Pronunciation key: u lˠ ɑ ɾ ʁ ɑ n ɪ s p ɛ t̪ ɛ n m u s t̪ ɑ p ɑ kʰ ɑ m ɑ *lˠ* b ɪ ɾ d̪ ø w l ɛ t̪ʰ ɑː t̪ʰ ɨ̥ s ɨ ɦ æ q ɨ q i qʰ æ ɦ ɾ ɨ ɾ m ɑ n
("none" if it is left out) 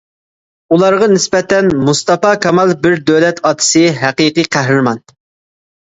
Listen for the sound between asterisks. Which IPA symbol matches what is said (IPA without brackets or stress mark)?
lˠ